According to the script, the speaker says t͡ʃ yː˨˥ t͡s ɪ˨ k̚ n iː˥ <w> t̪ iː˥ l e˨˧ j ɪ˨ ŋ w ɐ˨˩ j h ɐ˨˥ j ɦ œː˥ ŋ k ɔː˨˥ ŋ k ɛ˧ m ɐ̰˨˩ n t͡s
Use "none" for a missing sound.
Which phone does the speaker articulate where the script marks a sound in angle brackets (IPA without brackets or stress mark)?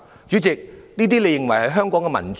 none